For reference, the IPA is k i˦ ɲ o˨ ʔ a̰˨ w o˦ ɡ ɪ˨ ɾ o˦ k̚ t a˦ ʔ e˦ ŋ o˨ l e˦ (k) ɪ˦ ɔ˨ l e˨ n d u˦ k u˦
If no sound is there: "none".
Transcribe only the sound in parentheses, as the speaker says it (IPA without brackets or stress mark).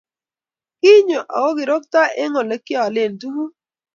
k